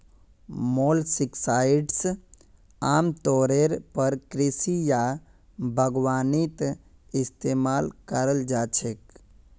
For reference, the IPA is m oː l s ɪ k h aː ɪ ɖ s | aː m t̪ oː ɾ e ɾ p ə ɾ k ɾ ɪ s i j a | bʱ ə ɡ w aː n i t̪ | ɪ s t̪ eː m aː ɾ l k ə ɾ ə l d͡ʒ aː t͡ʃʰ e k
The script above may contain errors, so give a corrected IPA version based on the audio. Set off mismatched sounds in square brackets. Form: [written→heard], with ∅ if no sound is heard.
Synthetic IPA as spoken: m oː l s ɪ k [h→s] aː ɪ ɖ s | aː m t̪ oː ɾ e ɾ p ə ɾ k ɾ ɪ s i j a | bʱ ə ɡ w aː n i t̪ | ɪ s t̪ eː m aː [ɾ→∅] l k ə ɾ ə l d͡ʒ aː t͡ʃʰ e k

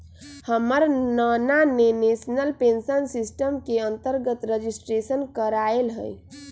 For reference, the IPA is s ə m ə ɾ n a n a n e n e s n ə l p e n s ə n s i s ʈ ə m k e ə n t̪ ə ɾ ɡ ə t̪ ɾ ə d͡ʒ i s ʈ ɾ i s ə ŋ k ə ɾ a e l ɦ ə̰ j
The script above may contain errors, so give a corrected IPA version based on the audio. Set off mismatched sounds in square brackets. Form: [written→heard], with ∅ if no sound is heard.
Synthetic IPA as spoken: [s→h] ə m ə ɾ n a n a n e n e s n ə l p e n s ə n s i s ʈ ə m k e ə n t̪ ə ɾ ɡ ə t̪ ɾ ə d͡ʒ i s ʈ ɾ [i→e] s ə [ŋ→n] k ə ɾ a e l ɦ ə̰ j

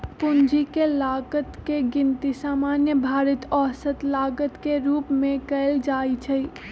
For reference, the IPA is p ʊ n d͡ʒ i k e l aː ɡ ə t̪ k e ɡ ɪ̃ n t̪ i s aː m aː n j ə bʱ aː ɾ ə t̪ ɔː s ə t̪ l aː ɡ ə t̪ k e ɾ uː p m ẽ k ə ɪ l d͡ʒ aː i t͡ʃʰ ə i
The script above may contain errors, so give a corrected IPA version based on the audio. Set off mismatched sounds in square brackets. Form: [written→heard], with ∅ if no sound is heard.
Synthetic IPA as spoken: p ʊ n d͡ʒ i k e l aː ɡ ə t̪ k e ɡ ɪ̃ n t̪ i s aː m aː n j ə bʱ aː ɾ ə t̪ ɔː s ə t̪ l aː ɡ ə t̪ k e ɾ uː p m ẽ k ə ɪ l d͡ʒ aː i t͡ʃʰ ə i

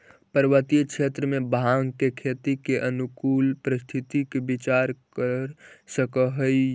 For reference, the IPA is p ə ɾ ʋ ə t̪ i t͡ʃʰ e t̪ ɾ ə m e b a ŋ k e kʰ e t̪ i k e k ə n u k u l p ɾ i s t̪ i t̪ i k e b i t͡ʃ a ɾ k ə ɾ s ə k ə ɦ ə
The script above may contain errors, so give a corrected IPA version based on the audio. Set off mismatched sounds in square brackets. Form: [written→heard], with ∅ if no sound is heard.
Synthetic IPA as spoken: p ə ɾ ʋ ə t̪ i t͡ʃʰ e t̪ ɾ ə m e b a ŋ k e kʰ e t̪ i k e [k→ʔ] ə n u k u l p ɾ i s [t̪→t̪ʰ] i t̪ i k e b i t͡ʃ a ɾ k ə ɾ s ə k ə ɦ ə

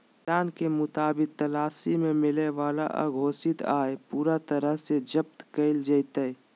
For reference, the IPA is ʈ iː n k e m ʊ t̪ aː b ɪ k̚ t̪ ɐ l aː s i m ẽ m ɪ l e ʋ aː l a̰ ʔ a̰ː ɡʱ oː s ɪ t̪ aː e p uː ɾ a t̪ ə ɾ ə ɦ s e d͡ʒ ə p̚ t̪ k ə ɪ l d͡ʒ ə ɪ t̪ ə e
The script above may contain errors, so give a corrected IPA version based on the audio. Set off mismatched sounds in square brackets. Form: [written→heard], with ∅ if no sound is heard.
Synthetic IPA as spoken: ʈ [iː→aː] n k e m ʊ t̪ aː b ɪ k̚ t̪ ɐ l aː s i m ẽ m ɪ l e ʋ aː l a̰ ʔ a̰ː ɡʱ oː s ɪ t̪ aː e p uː ɾ a t̪ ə ɾ ə ɦ s e d͡ʒ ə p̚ t̪ k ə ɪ l d͡ʒ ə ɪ t̪ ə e

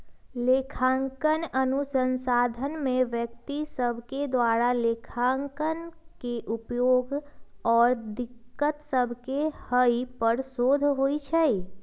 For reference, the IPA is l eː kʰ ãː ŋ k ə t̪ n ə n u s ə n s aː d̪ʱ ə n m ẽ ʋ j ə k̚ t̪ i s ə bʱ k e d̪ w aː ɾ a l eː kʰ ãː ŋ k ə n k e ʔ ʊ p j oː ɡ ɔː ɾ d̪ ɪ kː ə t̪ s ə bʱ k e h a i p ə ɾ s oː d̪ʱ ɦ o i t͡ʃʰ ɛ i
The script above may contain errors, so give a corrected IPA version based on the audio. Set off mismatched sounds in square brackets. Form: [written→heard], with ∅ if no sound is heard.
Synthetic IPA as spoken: l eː kʰ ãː ŋ k ə [t̪→∅] n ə n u s ə n s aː d̪ʱ ə n m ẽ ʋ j ə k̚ t̪ i s ə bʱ k e d̪ w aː ɾ a l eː kʰ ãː ŋ k ə n k e ʔ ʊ p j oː ɡ ɔː ɾ d̪ ɪ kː ə t̪ s ə bʱ k e h [a→ə] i p ə ɾ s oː d̪ʱ ɦ o i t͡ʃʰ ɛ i

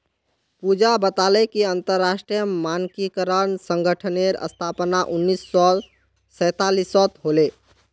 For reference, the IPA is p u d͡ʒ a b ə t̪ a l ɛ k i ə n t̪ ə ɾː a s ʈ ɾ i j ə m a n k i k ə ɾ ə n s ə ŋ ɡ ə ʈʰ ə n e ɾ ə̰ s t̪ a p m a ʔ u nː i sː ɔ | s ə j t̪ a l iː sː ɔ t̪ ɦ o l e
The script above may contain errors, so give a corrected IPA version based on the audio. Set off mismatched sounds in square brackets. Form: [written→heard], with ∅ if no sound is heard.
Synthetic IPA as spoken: p u d͡ʒ a b ə t̪ a l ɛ k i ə n t̪ ə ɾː a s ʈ ɾ i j ə m a n k i k ə ɾ ə n s ə ŋ ɡ ə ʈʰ ə n e ɾ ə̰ s [t̪→t̪ʰ] a p [m→n] a ʔ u nː i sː ɔ | s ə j t̪ a l [iː→i] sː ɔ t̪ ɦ o l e

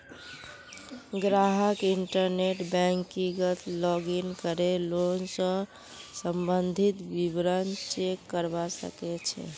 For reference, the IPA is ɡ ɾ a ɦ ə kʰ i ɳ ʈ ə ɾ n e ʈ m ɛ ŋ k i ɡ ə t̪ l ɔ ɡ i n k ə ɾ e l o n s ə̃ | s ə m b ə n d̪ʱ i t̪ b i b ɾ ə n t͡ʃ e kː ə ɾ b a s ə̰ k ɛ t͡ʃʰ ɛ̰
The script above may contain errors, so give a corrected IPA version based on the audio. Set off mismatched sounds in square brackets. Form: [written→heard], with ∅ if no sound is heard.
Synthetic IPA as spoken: ɡ ɾ a ɦ ə [kʰ→k] i ɳ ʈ ə ɾ n e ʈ [m→b] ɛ ŋ k i ɡ ə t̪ l ɔ ɡ i n k ə ɾ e l o n s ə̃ | s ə m b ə n d̪ʱ i t̪ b i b ɾ ə n t͡ʃ e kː ə ɾ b a s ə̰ k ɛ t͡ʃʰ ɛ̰

